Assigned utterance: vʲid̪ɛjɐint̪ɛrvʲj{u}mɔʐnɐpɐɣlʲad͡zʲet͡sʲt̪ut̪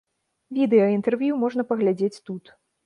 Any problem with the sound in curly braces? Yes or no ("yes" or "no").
no